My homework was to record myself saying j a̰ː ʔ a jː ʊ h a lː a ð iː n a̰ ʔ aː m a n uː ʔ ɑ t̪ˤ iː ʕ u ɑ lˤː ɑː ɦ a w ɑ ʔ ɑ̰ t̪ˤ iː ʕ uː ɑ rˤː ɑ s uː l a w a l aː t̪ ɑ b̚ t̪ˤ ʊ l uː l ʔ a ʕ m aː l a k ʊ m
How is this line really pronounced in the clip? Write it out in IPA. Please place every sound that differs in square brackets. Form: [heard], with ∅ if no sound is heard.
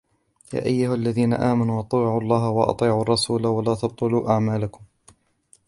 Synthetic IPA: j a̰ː ʔ a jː ʊ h a lː a ð iː n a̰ ʔ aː m a n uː ʔ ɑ t̪ˤ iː ʕ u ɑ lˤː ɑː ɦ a w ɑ ʔ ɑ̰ t̪ˤ iː ʕ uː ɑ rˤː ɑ s uː l a w a l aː t̪ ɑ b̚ t̪ˤ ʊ l uː [∅] ʔ a ʕ m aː l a k ʊ m